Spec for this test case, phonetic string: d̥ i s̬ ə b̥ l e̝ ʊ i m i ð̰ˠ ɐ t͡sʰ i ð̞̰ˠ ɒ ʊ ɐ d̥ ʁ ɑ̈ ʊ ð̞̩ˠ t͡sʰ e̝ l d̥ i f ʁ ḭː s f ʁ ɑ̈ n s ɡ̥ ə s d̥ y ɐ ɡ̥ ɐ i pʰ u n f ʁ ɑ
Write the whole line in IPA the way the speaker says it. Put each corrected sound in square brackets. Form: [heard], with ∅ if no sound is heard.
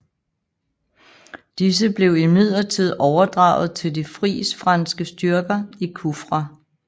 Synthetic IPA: d̥ i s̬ ə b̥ l e̝ ʊ i m i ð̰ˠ ɐ t͡sʰ i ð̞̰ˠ ɒ ʊ ɐ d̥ ʁ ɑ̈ ʊ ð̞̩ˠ t͡sʰ e̝ l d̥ i f ʁ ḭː s f ʁ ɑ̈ n s ɡ̥ ə s d̥ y ɐ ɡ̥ ɐ i [kʰ] u [∅] f ʁ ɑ